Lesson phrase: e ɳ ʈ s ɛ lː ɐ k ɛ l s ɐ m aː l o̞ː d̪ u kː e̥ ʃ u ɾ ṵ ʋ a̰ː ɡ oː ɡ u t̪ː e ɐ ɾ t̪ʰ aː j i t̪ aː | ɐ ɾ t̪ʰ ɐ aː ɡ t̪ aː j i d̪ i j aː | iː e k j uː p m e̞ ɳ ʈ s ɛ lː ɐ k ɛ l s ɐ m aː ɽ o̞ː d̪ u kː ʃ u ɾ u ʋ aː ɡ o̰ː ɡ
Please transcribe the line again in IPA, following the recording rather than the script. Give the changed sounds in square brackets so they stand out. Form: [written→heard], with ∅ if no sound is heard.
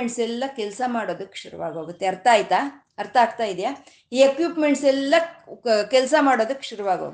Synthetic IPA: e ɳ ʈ s ɛ lː ɐ k ɛ l s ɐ m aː [l→ɽ] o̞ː d̪ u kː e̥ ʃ u ɾ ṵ ʋ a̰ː ɡ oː ɡ u t̪ː e ɐ ɾ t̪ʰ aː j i t̪ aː | ɐ ɾ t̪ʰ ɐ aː ɡ t̪ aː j i d̪ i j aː | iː e k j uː p m e̞ ɳ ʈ s ɛ lː ɐ k ɛ l s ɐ m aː ɽ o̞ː d̪ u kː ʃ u ɾ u ʋ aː ɡ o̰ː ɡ